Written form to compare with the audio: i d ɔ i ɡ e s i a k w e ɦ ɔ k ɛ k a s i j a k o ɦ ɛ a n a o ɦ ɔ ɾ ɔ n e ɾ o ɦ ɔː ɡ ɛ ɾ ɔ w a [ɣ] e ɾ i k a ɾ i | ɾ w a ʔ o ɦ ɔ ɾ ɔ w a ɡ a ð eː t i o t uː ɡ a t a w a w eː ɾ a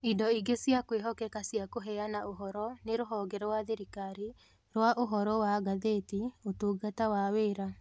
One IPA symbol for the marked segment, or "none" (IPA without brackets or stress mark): ð